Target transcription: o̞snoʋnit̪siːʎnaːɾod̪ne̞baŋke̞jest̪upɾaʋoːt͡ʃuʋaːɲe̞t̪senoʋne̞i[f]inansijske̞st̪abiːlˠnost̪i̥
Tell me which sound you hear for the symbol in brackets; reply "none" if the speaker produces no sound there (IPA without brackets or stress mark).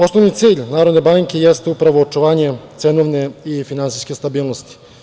f